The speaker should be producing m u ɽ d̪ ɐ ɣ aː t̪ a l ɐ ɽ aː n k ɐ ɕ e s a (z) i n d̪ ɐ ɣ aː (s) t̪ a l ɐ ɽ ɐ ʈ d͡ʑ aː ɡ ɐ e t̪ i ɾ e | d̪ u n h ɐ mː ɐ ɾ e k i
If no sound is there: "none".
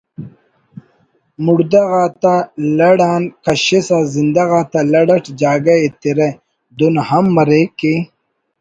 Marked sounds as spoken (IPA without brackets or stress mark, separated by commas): z, none